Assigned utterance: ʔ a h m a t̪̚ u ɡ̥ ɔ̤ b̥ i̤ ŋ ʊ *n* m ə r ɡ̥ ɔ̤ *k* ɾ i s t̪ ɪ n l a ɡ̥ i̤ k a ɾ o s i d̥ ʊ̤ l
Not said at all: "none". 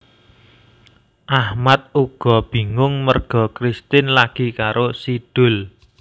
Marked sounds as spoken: ŋ, k

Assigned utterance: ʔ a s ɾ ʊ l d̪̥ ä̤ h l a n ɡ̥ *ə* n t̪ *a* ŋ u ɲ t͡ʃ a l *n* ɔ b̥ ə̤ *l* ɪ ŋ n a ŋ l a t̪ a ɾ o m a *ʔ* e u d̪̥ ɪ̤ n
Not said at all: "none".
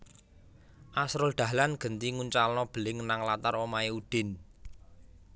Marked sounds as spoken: ə, i, n, l, none

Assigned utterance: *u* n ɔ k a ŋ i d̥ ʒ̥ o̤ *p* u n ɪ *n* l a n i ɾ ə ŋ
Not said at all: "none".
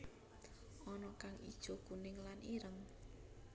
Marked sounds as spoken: ɔ, k, ŋ

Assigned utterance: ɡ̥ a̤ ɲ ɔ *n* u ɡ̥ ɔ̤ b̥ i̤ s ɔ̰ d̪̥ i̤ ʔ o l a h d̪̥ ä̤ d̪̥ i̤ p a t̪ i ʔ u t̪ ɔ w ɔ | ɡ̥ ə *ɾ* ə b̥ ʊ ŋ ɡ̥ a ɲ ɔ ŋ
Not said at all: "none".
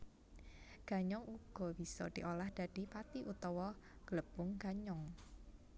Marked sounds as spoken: ŋ, l

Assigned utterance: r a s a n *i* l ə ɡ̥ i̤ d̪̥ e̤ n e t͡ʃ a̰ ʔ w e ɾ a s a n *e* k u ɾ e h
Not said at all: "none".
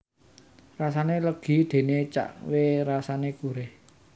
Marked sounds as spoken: e, e

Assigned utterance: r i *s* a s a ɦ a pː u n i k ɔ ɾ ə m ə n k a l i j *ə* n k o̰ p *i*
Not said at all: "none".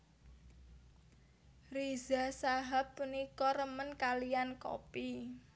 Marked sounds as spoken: z, a, i

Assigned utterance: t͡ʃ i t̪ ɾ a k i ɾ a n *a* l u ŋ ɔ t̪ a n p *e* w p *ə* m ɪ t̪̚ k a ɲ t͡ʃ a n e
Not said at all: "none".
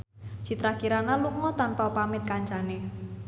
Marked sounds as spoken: a, a, a

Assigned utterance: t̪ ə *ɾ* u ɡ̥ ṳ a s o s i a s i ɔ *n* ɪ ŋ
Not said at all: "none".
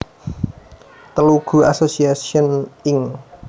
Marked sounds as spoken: l, n

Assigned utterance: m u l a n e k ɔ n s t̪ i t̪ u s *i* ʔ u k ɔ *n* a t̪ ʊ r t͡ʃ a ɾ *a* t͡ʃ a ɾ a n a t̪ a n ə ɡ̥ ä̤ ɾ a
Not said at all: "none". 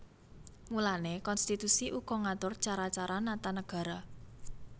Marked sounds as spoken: i, ŋ, a

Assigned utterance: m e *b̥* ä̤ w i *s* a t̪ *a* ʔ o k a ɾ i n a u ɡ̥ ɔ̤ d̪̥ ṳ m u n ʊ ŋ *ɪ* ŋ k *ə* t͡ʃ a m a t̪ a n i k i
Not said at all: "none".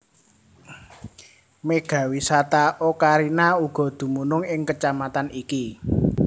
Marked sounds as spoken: ɡ̥, s, a, ɪ, ə

